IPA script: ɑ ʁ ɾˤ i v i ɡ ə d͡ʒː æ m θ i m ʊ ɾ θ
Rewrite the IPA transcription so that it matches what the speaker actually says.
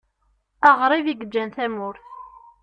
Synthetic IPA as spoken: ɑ ʁ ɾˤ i v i ɡ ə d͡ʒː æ n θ æ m ʊ ɾ θ